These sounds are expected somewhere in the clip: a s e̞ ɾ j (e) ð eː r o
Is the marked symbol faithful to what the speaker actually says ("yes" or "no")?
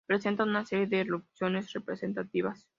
yes